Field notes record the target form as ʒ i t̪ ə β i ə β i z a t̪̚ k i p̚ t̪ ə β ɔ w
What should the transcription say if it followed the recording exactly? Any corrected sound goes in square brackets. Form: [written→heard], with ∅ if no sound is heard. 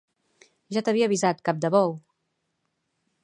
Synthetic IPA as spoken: ʒ [i→a] t̪ ə β i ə β i z a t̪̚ k [i→a] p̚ [t̪→d̪] ə β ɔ w